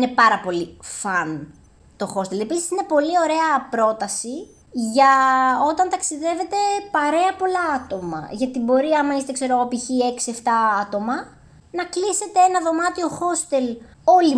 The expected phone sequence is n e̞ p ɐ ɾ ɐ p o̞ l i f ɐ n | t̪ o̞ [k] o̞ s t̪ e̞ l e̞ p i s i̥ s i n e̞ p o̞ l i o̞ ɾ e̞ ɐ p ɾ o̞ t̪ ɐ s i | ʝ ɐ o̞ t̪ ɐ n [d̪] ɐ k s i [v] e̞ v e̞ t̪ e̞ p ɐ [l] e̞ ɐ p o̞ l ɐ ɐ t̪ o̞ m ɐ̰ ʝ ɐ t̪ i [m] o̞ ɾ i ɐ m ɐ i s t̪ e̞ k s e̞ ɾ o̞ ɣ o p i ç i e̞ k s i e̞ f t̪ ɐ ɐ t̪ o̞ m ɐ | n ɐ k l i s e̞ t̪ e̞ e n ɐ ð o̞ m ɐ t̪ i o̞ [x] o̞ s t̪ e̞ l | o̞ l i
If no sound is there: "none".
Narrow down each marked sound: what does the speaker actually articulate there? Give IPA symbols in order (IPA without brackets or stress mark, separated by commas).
x, t̪, ð, ɾ, b, x